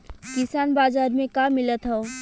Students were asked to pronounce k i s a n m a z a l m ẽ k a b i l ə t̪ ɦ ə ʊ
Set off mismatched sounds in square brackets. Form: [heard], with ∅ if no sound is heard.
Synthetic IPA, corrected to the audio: k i s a n [b] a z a [ɾ] m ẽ k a [m] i l ə t̪ ɦ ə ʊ